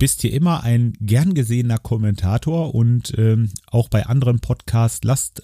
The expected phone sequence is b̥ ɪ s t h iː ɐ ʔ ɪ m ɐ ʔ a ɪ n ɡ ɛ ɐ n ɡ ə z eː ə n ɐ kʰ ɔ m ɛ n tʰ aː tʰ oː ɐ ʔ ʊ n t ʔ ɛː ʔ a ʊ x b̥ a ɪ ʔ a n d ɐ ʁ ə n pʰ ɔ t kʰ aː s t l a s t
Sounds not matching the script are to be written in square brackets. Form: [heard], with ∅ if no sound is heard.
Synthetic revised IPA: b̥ ɪ s t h iː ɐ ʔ ɪ m ɐ ʔ a ɪ n ɡ ɛ ɐ n ɡ ə z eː ə n ɐ kʰ ɔ m ɛ n tʰ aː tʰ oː ɐ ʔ ʊ n t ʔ ɛː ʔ a ʊ x b̥ a ɪ ʔ a n d [ə] ʁ ə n pʰ ɔ t kʰ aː s t l a s t